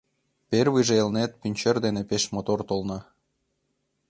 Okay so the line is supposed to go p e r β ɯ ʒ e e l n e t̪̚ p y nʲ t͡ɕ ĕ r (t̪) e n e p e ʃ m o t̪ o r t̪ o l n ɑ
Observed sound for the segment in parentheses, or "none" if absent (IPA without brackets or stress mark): d̪